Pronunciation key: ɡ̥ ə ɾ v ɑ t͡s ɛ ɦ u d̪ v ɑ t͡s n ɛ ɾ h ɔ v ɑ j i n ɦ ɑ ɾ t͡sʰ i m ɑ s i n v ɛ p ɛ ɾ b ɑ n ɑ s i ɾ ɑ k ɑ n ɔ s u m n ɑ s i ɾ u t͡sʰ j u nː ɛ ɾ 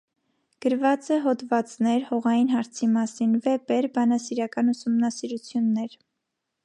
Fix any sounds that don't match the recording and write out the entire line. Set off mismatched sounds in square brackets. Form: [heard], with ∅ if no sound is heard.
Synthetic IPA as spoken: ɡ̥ ə ɾ v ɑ t͡s ɛ ɦ [ɔ] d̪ v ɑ t͡s n ɛ ɾ h ɔ [ʁ] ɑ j i n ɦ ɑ ɾ t͡sʰ i m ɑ s i n v ɛ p ɛ ɾ b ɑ n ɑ s i ɾ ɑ k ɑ n [u] s u m n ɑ s i ɾ u t͡sʰ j u nː ɛ ɾ